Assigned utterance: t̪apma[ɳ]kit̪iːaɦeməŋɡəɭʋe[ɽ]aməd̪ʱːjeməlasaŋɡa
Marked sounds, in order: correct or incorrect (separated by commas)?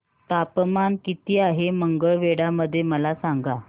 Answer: incorrect, correct